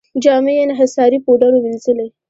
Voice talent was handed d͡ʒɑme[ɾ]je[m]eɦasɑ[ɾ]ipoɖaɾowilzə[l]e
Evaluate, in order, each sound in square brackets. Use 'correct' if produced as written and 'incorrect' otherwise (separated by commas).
incorrect, incorrect, correct, correct